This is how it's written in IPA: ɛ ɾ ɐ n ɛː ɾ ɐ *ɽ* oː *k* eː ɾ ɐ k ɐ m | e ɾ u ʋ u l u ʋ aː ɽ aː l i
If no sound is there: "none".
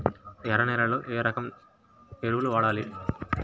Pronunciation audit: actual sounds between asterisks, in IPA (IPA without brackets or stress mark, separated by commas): l, ʔ